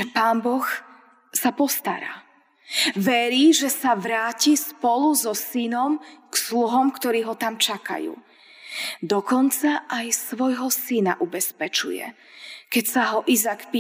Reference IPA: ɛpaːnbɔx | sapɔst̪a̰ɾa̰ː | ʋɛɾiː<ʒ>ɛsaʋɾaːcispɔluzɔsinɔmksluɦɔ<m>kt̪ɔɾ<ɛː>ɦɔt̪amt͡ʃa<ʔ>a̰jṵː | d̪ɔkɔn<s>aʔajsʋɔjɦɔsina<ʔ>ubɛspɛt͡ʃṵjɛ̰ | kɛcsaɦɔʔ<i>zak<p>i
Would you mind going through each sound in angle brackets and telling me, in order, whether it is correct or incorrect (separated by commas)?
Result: correct, correct, incorrect, incorrect, incorrect, correct, correct, correct